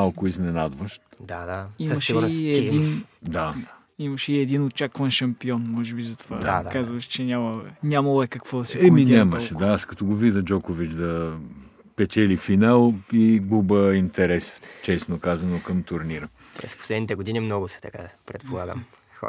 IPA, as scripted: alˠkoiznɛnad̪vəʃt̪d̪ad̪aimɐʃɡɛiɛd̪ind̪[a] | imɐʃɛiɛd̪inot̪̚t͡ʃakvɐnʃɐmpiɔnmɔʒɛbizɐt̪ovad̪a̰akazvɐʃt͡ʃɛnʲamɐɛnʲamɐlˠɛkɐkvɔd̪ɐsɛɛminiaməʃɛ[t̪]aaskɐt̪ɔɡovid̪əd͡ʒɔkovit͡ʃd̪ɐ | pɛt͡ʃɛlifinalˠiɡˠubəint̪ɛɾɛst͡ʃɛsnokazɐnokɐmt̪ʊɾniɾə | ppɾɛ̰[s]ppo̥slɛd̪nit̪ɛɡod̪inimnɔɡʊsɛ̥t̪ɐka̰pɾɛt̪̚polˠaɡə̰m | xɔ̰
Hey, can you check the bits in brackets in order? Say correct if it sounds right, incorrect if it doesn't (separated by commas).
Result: correct, incorrect, correct